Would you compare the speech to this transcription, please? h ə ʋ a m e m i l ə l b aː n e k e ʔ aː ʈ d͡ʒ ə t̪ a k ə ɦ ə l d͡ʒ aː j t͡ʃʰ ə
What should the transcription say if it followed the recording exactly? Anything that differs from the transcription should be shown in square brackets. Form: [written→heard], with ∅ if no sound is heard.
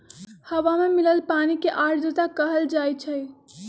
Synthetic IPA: h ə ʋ a m e m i l ə l [b→p] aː n [e→i] k e ʔ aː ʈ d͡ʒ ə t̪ a k ə ɦ ə l d͡ʒ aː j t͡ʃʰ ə